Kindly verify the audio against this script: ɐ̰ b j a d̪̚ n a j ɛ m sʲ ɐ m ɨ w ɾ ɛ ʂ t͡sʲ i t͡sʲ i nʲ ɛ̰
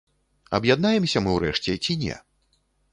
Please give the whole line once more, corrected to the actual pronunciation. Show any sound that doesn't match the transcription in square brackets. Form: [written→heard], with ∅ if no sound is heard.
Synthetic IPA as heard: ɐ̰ b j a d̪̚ n a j ɛ m sʲ ɐ m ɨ w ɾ ɛ ʂ t͡sʲ [i→ɛ] t͡sʲ i nʲ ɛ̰